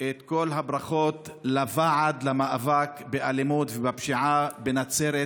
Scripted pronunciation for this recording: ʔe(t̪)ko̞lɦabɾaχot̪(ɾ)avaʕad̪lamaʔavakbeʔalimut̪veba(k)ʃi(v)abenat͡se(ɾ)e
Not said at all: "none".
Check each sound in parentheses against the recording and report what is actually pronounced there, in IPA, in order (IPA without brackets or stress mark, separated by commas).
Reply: t̪, l, p, ʕ, ɾ